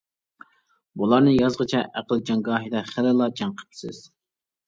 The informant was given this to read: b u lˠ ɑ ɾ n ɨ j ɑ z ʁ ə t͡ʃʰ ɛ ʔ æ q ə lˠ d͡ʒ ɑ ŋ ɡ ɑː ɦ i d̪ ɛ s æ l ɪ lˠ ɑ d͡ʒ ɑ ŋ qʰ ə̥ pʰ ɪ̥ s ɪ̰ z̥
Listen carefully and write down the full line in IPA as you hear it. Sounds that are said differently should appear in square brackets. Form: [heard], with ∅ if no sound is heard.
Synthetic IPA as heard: b u lˠ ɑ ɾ n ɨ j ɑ z ʁ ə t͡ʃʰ ɛ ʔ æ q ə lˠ d͡ʒ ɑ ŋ ɡ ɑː ɦ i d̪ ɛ [χ] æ l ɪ lˠ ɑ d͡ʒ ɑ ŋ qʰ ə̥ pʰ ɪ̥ s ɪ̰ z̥